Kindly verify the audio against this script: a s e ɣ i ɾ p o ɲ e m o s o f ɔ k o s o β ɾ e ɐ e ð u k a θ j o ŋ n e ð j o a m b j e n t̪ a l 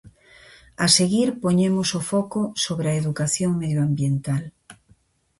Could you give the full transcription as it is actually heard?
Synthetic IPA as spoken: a s e ɣ i ɾ p o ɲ e m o s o f ɔ k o s o β ɾ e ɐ e ð u k a θ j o ŋ m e ð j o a m b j e n t̪ a l